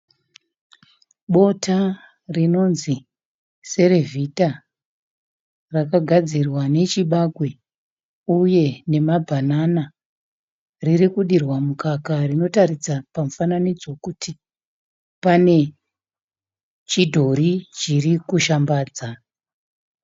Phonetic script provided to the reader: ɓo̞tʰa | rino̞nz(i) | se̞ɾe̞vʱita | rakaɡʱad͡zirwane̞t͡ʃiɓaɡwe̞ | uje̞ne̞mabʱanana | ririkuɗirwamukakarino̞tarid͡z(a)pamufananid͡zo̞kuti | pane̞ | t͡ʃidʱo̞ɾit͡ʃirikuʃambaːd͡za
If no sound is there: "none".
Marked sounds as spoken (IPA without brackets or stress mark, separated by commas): i, a